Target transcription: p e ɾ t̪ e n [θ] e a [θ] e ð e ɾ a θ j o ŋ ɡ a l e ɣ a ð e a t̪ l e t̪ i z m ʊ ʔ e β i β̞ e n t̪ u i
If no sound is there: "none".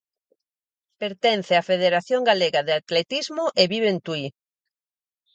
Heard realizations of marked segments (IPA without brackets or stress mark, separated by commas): θ, f